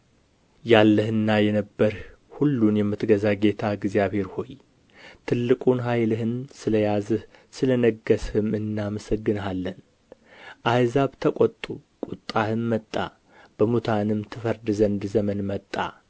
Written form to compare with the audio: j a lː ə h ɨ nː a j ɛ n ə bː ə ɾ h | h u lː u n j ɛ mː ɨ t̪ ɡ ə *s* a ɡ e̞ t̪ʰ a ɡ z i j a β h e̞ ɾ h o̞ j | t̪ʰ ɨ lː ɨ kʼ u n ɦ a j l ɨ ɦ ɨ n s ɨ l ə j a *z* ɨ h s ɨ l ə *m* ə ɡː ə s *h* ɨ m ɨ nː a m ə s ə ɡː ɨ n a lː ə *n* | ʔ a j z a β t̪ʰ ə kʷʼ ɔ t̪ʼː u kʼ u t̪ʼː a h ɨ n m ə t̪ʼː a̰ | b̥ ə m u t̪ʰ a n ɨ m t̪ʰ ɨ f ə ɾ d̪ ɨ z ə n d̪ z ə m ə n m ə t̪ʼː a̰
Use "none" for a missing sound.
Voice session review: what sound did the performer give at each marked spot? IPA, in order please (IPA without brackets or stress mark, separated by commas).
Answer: z, z, n, h, n